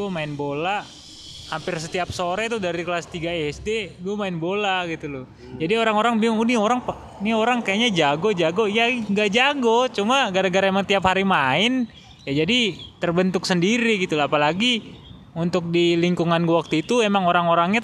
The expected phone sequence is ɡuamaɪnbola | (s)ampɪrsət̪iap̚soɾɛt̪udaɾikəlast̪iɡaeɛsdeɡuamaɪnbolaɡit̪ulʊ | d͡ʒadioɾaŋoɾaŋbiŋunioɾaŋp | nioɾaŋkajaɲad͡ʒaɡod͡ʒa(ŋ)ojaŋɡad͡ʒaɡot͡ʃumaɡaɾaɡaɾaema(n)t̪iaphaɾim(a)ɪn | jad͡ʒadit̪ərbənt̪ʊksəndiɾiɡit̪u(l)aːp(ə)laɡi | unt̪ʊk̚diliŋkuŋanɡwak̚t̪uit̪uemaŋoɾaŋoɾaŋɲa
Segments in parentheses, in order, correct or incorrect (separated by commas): incorrect, incorrect, incorrect, correct, correct, incorrect